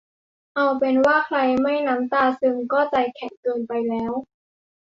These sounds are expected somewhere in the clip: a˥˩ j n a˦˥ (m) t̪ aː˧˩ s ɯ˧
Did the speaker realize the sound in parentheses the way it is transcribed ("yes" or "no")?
yes